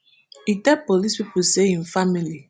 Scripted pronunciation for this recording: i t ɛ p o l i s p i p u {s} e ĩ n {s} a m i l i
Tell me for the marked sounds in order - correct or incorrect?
correct, incorrect: f

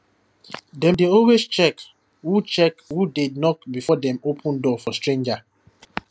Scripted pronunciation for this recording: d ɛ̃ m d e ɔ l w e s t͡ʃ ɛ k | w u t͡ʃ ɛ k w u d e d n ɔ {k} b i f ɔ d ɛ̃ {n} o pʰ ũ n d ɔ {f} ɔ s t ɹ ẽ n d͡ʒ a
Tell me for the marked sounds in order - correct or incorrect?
correct, incorrect: m, correct

